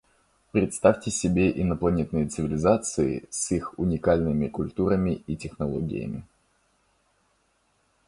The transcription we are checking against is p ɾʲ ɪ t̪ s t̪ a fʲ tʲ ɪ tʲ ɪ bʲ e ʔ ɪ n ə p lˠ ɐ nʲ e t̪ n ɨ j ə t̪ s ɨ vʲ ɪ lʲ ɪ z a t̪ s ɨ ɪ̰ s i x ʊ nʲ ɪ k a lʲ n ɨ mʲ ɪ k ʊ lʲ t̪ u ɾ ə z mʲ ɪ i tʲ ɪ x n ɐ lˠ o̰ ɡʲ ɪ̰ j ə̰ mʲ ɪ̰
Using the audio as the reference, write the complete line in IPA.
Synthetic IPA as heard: p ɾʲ ɪ t̪ s t̪ a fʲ tʲ ɪ sʲ ɪ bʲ e ʔ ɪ n ə p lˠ ɐ nʲ e t̪ n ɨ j ə t̪ s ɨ vʲ ɪ lʲ ɪ z a t̪ s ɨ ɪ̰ s i x ʊ nʲ ɪ k a lʲ n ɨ mʲ ɪ k ʊ lʲ t̪ u ɾ ə mʲ ɪ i tʲ ɪ x n ɐ lˠ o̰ ɡʲ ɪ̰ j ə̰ mʲ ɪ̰

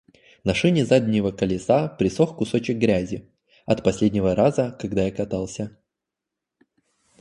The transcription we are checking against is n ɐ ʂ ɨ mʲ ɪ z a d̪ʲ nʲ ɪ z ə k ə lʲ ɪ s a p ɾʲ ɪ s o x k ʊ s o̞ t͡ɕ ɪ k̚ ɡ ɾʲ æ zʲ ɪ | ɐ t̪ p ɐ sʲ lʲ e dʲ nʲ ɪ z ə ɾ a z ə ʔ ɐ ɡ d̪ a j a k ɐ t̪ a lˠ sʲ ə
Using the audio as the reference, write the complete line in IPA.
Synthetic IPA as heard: n ɐ ʂ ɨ nʲ ɪ z a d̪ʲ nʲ ɪ v ə k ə lʲ ɪ s a p ɾʲ ɪ s o x k ʊ s o̞ t͡ɕ ɪ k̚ ɡ ɾʲ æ zʲ ɪ | ɐ t̪ p ɐ sʲ lʲ e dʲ nʲ ɪ v ə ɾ a z ə k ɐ ɡ d̪ a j a k ɐ t̪ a lˠ sʲ ə

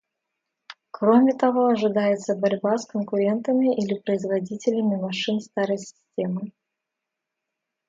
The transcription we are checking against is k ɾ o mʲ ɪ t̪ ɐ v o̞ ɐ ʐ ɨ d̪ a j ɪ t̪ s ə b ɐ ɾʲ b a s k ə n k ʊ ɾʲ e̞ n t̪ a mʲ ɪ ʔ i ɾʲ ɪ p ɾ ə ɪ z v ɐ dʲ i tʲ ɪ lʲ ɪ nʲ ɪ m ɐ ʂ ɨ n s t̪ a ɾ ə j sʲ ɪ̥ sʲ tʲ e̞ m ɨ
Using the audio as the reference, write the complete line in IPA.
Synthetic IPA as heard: k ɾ o mʲ ɪ t̪ ɐ v o̞ ɐ ʐ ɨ d̪ a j ɪ t̪ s ə b ɐ ɾʲ b a s k ə n k ʊ ɾʲ e̞ n t̪ ə mʲ ɪ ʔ i lʲ ɪ p ɾ ə ɪ z v ɐ dʲ i tʲ ɪ lʲ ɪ mʲ ɪ m ɐ ʂ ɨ n s t̪ a ɾ ə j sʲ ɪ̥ sʲ tʲ e̞ m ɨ

